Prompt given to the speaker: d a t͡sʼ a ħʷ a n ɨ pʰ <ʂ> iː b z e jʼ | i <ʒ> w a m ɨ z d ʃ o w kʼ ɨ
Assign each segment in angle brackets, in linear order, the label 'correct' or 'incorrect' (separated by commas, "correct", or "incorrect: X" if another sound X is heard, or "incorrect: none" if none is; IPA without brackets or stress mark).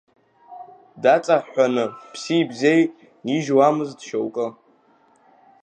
incorrect: s, correct